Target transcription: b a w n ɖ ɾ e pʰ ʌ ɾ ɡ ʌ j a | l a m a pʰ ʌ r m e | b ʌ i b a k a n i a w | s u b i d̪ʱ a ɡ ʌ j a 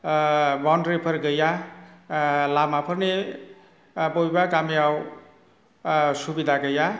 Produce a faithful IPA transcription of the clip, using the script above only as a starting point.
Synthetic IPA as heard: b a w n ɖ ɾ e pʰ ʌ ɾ ɡ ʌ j a | l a m a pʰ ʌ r n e | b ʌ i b a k a m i a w | s u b i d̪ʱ a ɡ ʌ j a